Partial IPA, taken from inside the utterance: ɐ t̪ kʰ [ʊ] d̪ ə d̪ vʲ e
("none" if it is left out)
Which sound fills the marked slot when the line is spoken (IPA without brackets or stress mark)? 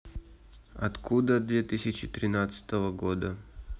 u